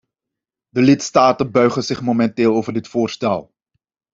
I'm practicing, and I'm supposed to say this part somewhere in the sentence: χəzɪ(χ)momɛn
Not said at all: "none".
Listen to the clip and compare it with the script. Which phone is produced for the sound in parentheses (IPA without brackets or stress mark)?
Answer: χ